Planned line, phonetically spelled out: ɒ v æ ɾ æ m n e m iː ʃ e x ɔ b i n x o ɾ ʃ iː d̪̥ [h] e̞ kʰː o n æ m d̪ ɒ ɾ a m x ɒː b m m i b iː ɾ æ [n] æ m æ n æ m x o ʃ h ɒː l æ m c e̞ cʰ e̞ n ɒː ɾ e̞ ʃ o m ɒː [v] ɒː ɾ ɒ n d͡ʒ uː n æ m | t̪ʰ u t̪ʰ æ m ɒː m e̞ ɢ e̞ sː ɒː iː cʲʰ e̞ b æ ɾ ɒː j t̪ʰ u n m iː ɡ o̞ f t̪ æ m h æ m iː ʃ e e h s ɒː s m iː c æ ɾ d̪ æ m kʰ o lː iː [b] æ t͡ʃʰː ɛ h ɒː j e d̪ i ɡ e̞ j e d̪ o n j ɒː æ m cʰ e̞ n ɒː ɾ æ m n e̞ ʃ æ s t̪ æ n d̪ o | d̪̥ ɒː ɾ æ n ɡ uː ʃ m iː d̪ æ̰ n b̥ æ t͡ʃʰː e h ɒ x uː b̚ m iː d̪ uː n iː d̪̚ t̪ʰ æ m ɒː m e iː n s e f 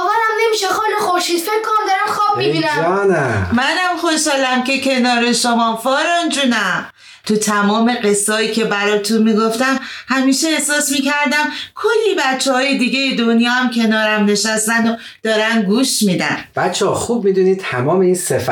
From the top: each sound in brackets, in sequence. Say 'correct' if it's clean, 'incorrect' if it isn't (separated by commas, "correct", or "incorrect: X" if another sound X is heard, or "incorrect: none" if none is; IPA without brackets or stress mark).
incorrect: f, correct, incorrect: f, correct